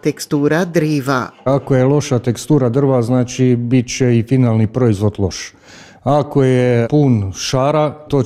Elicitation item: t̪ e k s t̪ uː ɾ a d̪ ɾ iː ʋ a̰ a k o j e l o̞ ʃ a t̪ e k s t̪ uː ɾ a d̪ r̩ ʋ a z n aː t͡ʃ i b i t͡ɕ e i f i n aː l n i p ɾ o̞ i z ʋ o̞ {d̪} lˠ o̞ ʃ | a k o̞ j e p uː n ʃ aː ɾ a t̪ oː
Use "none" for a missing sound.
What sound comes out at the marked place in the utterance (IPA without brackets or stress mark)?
d̪